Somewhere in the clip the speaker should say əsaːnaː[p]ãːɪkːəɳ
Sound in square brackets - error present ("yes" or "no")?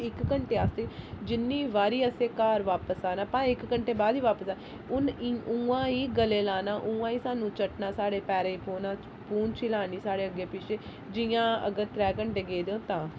no